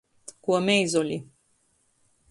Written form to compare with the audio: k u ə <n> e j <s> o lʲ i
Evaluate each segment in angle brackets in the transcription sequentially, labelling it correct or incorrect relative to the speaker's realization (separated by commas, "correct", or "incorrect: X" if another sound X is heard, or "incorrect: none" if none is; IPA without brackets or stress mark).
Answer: incorrect: m, incorrect: z